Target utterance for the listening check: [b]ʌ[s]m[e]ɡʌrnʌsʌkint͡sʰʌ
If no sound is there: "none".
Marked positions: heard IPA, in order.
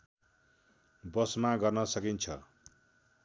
b, s, a

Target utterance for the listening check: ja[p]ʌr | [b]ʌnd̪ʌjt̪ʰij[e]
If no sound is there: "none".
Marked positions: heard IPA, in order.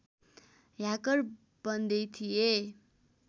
k, b, e

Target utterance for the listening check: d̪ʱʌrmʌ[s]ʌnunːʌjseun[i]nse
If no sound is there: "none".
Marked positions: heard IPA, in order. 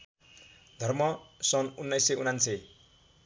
s, a

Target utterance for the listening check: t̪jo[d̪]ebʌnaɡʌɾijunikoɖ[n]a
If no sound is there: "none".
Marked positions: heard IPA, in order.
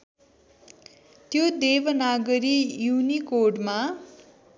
d̪, m

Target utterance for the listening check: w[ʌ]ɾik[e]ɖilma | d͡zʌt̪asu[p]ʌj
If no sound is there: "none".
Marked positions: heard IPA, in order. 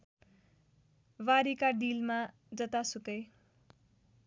a, a, k

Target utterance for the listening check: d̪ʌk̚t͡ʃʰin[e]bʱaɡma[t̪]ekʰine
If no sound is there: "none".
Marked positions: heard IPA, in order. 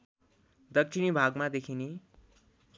i, d̪

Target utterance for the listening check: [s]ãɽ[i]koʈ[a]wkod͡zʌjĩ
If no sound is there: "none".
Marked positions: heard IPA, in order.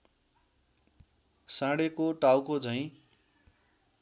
s, e, a

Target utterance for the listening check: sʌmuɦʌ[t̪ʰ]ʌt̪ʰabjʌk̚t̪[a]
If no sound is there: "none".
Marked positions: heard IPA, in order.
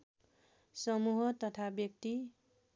t̪, i

